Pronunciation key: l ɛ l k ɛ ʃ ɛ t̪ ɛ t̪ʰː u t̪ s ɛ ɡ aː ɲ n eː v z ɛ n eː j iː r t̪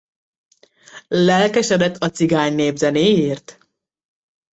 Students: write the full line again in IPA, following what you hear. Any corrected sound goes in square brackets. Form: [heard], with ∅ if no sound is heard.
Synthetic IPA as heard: l ɛ l k ɛ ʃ ɛ [d̪] ɛ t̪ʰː [ɒ] t̪ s [i] ɡ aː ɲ n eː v z ɛ n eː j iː r t̪